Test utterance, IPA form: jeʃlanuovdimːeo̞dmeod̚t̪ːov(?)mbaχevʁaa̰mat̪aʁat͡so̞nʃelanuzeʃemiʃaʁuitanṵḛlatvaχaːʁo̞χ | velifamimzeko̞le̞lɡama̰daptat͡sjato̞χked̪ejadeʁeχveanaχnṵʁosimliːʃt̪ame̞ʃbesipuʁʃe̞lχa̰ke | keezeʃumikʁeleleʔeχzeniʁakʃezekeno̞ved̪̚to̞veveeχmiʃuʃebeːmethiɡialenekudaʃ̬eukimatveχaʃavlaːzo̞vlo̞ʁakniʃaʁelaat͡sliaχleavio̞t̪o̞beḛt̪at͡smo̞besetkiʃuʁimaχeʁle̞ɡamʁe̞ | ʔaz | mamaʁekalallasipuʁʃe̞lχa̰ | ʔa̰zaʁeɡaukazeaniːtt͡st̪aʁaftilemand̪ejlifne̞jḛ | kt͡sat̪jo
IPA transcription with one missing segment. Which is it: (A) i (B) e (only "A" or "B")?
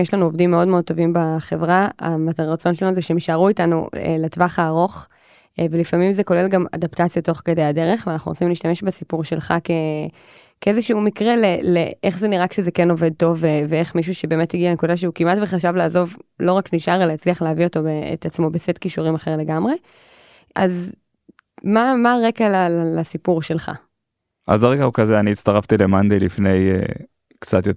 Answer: A